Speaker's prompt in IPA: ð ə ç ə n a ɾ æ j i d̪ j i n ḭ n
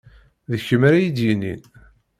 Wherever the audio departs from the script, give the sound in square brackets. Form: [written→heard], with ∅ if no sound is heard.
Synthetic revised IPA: ð ə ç ə [n→m] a ɾ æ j i d̪ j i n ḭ n